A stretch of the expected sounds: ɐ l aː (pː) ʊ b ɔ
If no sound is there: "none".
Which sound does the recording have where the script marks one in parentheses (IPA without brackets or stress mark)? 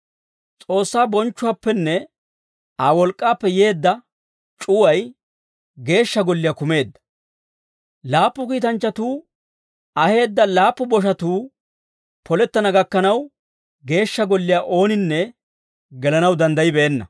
pː